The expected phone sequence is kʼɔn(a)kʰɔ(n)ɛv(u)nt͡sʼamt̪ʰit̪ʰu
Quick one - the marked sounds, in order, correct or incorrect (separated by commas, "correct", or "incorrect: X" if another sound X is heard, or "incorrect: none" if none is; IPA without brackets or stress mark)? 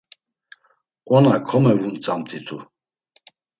correct, incorrect: m, correct